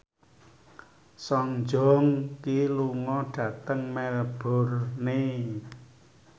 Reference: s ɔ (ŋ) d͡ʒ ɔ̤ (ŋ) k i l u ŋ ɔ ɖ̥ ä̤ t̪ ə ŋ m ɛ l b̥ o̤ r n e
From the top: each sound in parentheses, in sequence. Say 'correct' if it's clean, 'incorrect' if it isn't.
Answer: correct, correct

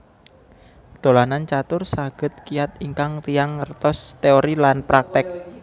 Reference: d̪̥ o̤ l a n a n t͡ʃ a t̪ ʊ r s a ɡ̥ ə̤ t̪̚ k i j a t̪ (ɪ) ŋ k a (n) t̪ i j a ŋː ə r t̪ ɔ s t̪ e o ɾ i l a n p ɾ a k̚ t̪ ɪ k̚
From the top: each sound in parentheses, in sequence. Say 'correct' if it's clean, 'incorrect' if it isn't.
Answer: incorrect, incorrect

